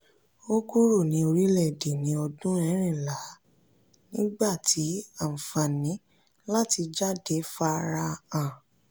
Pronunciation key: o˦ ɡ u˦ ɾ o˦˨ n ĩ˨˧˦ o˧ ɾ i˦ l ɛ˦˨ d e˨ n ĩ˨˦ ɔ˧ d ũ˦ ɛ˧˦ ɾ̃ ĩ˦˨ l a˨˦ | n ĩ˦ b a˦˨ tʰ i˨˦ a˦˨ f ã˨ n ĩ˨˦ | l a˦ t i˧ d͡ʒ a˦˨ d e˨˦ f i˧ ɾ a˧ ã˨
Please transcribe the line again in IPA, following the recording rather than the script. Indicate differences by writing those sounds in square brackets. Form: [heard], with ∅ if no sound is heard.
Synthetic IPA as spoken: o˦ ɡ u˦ ɾ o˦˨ n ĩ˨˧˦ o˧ ɾ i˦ l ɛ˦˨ d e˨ n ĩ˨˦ ɔ˧ d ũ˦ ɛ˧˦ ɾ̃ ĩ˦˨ l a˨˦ | n ĩ˦ [ɡ͡b] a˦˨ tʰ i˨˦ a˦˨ f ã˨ n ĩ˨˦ | l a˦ t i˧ d͡ʒ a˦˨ d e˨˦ f [a˧] ɾ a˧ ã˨